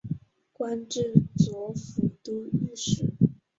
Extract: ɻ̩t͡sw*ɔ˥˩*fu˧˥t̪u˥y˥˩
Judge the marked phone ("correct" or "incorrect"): incorrect